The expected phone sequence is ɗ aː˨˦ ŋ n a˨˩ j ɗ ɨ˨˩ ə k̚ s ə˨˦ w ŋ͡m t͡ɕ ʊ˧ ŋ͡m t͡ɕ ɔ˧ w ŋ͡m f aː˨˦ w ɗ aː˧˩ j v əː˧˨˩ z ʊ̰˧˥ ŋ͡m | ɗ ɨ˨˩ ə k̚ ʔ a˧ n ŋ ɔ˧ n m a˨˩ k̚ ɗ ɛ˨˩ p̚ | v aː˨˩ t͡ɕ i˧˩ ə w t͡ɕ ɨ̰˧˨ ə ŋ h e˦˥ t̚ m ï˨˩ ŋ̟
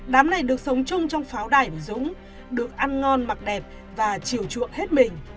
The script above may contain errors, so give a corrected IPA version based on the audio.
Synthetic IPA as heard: ɗ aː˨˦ m n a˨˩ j ɗ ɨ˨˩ ə k̚ s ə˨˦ w ŋ͡m t͡ɕ ʊ˧ ŋ͡m t͡ɕ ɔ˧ w ŋ͡m f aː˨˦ w ɗ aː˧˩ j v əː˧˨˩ z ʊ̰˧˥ ŋ͡m | ɗ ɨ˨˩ ə k̚ ʔ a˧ n ŋ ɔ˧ n m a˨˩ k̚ ɗ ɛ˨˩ p̚ | v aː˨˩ t͡ɕ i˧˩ ə w t͡ɕ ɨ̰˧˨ ə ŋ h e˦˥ t̚ m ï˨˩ ŋ̟